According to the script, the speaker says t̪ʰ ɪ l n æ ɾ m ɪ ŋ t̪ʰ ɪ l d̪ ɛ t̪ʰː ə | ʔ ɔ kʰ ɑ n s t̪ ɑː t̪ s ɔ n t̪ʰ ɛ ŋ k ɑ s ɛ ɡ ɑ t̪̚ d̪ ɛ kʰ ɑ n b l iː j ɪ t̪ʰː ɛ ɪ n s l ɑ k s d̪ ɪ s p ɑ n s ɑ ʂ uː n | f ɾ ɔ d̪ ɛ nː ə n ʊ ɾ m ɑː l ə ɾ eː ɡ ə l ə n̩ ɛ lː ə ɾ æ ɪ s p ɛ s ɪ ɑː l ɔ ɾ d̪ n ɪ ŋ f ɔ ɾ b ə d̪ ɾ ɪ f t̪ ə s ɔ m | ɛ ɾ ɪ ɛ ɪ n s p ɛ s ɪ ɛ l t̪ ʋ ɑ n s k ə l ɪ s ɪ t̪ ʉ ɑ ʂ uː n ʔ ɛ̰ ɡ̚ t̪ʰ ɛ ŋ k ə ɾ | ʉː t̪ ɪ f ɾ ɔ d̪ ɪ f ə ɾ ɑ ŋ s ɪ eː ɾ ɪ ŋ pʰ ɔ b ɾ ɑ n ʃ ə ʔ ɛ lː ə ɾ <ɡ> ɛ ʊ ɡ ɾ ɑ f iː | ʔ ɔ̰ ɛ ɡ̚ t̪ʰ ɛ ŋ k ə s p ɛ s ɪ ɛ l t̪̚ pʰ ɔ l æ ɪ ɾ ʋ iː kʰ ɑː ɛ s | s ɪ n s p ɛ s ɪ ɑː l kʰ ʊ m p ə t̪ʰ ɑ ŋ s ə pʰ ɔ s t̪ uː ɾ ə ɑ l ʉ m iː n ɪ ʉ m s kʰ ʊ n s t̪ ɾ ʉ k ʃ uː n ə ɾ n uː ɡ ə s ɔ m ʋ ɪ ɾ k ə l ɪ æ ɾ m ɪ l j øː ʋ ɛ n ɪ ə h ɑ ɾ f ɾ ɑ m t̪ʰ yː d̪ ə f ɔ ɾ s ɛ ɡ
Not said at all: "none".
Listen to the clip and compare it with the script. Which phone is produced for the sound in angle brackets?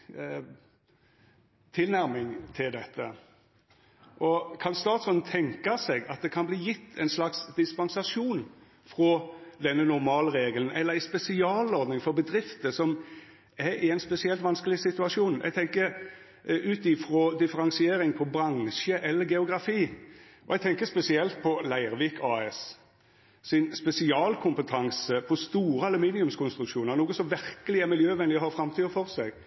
ɡ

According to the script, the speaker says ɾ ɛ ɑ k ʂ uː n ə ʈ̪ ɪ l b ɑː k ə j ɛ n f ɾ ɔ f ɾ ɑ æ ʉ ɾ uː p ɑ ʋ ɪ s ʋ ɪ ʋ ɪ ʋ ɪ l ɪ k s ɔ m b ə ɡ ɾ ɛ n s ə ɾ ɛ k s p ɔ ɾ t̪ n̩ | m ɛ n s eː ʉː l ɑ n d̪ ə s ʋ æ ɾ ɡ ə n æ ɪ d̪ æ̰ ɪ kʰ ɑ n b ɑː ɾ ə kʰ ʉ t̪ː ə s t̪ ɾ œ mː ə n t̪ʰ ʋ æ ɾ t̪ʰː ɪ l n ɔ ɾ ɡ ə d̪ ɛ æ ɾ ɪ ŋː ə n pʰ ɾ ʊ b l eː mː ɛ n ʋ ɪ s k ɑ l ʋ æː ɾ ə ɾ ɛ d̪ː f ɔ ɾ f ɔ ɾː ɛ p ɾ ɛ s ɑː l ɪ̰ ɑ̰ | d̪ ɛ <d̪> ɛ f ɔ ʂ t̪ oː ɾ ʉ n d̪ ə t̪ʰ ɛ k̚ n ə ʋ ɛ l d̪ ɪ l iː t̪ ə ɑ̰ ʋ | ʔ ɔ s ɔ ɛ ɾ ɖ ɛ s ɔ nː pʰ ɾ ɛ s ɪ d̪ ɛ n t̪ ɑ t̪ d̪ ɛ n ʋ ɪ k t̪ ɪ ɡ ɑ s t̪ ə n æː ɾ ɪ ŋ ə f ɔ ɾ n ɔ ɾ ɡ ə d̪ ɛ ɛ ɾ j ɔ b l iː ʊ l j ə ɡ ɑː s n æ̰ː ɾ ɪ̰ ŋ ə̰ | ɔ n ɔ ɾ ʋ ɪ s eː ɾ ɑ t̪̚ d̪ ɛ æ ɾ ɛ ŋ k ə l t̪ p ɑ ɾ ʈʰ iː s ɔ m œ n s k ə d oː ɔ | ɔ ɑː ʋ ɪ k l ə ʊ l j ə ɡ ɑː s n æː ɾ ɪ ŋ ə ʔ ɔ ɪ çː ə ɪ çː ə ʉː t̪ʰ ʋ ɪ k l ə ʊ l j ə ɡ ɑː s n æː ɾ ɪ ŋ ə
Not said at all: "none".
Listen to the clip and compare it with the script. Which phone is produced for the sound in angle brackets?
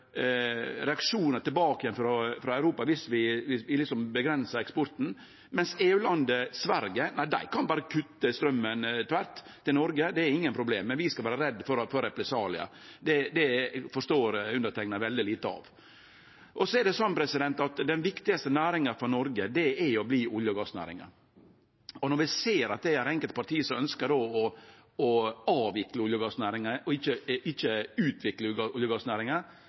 d̪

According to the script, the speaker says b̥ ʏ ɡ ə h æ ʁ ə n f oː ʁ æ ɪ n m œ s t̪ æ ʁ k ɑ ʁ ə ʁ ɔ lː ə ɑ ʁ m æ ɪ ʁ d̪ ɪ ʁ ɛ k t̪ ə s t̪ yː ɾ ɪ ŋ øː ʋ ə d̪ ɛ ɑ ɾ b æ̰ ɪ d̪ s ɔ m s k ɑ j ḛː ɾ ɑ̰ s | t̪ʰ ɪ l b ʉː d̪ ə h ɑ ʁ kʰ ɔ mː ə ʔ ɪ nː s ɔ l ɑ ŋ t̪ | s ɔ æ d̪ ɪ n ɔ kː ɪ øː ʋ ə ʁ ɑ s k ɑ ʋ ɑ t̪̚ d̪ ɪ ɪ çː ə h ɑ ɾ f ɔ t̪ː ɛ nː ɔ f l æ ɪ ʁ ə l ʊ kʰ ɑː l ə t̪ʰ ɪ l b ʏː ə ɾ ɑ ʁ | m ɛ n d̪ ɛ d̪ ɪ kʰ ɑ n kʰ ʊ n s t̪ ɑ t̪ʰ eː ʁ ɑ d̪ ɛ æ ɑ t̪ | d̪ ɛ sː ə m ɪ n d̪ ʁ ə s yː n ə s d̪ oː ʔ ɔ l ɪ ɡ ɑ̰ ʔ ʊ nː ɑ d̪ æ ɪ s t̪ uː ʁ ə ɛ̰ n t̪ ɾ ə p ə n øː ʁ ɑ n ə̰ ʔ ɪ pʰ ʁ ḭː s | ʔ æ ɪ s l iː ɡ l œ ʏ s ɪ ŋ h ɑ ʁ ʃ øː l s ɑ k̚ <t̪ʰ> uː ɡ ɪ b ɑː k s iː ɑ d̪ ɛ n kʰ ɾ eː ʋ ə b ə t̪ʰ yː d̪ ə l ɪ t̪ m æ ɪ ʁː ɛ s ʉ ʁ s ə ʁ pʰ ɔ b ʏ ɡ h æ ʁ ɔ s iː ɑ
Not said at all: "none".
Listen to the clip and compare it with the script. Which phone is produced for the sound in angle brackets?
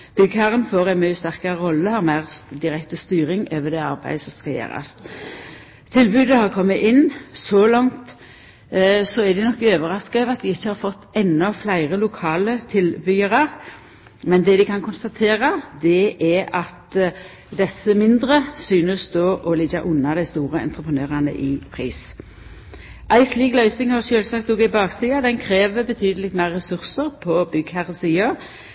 t̪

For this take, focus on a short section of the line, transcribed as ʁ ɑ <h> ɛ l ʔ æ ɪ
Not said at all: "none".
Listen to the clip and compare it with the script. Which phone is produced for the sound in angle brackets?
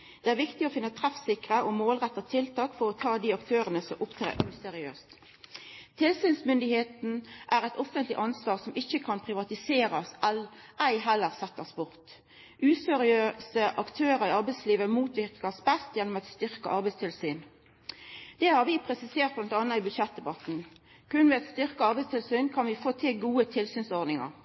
s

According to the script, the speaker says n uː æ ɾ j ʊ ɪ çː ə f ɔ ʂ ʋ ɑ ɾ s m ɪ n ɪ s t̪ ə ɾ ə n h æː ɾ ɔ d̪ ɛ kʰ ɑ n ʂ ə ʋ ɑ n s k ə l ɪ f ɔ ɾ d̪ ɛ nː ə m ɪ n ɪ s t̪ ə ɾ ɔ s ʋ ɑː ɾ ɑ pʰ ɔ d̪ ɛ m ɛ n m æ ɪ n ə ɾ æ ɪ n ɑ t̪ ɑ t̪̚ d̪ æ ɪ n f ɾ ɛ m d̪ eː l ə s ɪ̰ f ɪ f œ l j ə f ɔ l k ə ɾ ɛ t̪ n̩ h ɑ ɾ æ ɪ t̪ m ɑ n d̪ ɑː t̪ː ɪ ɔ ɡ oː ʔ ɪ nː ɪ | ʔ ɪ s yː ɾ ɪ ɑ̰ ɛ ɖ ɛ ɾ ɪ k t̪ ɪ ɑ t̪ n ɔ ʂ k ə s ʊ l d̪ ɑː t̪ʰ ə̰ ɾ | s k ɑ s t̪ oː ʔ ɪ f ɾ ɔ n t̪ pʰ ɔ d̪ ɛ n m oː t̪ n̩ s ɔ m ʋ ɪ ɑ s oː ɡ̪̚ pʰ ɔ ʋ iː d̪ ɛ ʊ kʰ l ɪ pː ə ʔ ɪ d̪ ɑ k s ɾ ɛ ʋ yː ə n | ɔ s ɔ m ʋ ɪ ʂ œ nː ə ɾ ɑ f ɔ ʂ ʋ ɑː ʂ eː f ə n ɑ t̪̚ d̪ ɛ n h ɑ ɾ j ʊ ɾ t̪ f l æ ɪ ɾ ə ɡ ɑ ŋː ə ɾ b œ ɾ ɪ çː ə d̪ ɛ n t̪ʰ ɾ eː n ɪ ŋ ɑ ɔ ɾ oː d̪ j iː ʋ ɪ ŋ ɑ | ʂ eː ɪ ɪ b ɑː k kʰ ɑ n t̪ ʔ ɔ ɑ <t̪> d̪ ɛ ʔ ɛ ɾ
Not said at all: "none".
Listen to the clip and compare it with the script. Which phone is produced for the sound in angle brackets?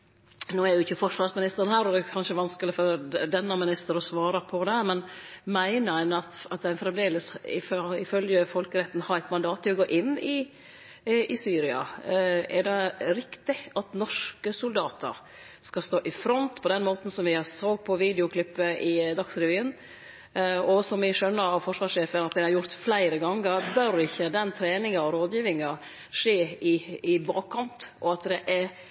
t̪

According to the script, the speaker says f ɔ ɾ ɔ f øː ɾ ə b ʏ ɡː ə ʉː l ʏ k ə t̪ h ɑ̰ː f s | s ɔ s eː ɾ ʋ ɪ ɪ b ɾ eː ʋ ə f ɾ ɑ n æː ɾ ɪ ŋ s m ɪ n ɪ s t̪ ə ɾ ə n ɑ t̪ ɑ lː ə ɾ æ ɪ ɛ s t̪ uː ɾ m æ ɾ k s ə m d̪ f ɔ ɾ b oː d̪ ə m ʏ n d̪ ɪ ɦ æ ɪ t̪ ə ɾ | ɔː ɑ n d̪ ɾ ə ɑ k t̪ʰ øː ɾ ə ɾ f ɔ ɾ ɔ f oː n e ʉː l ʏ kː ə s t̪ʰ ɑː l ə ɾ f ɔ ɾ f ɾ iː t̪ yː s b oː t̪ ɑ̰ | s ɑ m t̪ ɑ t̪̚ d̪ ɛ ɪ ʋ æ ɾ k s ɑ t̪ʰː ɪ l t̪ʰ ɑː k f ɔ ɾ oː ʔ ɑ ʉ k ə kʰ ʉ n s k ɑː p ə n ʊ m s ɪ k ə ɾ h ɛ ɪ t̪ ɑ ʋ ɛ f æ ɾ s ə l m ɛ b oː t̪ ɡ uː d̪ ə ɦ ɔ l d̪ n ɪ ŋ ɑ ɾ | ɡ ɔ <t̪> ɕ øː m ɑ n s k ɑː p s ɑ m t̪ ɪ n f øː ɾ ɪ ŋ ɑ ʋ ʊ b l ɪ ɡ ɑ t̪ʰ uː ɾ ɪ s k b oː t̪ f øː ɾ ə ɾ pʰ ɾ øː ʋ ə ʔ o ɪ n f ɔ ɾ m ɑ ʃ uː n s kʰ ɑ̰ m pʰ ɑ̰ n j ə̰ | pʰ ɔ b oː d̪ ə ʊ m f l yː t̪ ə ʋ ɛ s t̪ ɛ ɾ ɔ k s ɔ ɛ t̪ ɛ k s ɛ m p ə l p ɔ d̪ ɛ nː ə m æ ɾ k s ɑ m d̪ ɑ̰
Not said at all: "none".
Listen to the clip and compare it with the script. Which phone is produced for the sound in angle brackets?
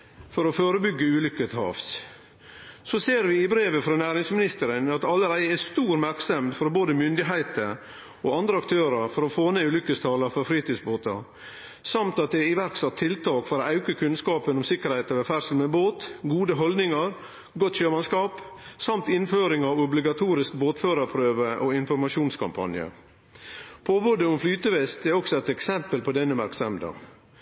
t̪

